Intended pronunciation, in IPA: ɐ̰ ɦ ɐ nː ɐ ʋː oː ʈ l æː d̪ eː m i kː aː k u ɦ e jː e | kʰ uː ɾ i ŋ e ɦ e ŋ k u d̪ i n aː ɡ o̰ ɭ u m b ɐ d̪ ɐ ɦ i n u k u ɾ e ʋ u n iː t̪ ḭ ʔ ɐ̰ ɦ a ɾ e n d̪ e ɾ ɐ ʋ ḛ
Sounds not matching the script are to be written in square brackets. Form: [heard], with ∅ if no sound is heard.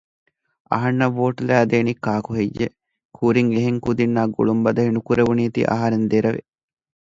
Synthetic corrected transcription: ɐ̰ ɦ ɐ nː ɐ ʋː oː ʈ l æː d̪ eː [n] i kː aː k u ɦ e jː e | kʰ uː ɾ i ŋ e ɦ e ŋ k u d̪ i [nː] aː ɡ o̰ ɭ u m b ɐ d̪ ɐ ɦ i n u k u ɾ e ʋ u n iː t̪ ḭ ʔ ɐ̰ ɦ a ɾ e n d̪ e ɾ ɐ ʋ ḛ